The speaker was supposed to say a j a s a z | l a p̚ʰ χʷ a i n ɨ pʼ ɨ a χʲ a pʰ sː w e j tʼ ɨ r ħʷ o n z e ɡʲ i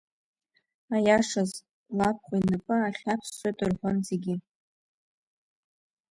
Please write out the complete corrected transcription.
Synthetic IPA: a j a ʂ a z | l a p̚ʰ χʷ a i n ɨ pʼ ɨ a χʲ a pʰ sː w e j tʼ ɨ r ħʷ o n z e ɡʲ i